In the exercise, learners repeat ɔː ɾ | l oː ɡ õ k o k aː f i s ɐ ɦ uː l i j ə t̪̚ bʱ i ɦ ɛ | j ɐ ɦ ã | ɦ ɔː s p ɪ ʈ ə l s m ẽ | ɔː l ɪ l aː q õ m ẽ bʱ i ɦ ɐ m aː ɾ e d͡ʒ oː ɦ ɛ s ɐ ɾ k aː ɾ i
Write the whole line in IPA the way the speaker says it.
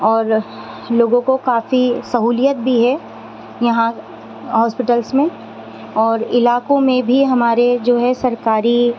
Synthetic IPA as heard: ɔː ɾ | l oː ɡ õ k o k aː f i s ɐ ɦ uː l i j ə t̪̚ bʱ i ɦ ɛ | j ɐ ɦ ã | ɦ ɔː s p ɪ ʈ ə l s m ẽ | ɔː ɾ ɪ l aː k õ m ẽ bʱ i ɦ ɐ m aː ɾ e d͡ʒ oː ɦ ɛ s ɐ ɾ k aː ɾ i